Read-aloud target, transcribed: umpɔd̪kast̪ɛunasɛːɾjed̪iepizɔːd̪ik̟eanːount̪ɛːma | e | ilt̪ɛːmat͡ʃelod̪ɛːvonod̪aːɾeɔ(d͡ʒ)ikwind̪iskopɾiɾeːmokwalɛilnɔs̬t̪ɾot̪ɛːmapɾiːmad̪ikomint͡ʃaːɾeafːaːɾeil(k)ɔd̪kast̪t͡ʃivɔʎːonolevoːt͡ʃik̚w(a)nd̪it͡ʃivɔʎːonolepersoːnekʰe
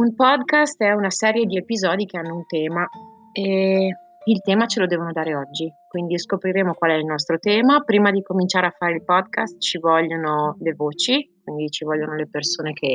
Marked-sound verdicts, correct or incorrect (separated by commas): incorrect, incorrect, incorrect